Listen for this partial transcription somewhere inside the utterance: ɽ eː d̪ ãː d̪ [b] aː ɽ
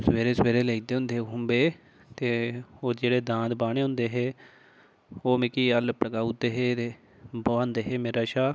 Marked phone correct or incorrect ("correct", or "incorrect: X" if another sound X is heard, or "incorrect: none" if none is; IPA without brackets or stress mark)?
correct